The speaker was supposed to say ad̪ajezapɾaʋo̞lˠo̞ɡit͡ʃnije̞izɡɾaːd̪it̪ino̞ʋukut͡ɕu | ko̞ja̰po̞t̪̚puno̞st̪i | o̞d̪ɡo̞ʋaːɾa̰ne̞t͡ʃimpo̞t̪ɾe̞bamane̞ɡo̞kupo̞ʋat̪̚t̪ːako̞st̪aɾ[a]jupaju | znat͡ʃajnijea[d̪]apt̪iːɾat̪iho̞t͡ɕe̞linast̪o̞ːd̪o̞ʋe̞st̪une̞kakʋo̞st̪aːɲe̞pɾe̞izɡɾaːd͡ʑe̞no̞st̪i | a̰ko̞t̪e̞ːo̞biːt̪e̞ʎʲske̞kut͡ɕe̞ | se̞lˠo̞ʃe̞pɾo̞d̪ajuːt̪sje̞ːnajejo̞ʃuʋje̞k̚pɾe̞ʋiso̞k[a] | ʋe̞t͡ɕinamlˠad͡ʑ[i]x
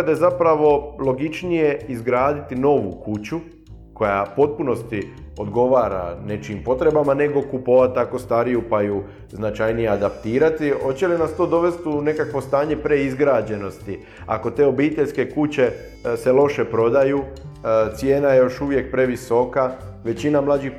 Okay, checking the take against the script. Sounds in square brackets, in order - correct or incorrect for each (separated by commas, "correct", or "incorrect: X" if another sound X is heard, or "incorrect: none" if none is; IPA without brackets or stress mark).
incorrect: i, correct, correct, correct